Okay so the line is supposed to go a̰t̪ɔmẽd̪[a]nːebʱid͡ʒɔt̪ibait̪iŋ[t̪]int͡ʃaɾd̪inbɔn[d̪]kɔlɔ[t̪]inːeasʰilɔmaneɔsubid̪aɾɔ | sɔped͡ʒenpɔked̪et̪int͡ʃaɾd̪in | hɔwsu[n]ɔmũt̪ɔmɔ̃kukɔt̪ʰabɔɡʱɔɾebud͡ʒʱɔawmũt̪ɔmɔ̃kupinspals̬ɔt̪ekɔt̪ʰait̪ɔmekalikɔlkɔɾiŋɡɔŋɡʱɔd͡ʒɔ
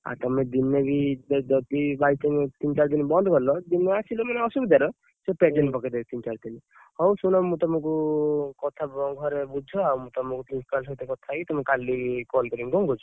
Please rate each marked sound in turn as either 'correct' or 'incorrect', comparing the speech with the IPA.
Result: incorrect: i, correct, correct, incorrect: d̪, correct

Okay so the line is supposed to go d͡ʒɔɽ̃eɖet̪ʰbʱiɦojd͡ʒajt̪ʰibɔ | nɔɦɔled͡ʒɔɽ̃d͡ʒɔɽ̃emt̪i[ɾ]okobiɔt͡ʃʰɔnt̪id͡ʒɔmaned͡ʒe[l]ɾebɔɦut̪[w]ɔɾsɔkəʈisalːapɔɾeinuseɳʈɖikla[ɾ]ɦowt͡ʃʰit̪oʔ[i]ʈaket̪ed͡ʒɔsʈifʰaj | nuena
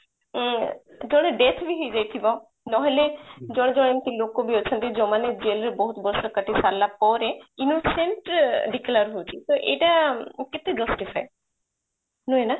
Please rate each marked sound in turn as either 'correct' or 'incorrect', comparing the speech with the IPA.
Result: incorrect: l, correct, incorrect: b, correct, incorrect: e

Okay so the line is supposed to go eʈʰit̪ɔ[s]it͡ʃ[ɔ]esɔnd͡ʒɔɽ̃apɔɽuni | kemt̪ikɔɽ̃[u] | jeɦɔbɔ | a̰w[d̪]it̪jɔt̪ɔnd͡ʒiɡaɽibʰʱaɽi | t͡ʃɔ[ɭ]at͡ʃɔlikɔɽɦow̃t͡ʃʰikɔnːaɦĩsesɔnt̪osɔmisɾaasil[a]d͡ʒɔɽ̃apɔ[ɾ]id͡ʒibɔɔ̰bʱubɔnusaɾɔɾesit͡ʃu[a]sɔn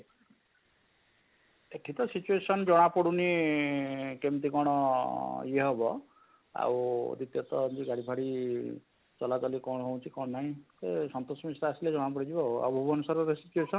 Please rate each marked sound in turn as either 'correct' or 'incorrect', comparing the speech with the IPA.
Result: correct, incorrect: u, incorrect: ɔ, correct, incorrect: l, incorrect: e, incorrect: ɽ, incorrect: e

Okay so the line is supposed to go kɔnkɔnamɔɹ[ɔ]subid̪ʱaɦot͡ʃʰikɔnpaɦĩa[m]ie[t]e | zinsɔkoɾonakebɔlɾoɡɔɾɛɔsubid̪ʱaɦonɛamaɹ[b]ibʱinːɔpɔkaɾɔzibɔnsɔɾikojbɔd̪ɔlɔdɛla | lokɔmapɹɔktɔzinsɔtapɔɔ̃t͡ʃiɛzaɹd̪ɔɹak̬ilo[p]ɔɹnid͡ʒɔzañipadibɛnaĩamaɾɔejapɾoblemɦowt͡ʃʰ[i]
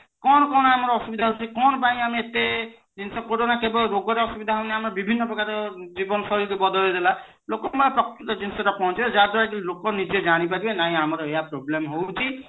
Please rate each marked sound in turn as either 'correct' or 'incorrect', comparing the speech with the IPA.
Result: correct, correct, correct, correct, incorrect: k, correct

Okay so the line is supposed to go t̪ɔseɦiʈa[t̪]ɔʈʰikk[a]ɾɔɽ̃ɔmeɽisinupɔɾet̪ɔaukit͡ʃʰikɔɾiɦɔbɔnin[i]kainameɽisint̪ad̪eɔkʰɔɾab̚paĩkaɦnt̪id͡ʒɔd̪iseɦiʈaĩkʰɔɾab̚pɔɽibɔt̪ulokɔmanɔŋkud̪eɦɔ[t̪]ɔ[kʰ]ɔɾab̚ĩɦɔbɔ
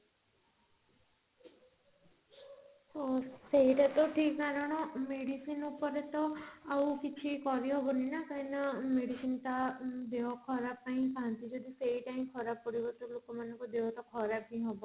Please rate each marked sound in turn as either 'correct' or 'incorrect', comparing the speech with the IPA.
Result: correct, correct, incorrect: a, correct, correct

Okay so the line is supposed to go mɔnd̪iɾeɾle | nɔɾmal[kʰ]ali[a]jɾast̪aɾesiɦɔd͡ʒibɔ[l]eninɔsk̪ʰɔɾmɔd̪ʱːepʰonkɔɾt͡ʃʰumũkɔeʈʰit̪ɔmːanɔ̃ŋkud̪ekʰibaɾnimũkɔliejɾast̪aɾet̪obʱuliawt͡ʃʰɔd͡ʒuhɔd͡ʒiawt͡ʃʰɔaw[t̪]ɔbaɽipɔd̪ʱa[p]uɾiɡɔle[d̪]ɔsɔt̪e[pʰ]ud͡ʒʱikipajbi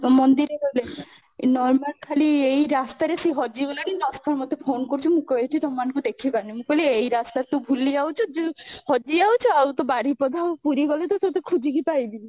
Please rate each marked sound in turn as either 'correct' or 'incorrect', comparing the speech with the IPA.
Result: correct, incorrect: e, correct, correct, correct, incorrect: t̪, incorrect: kʰ

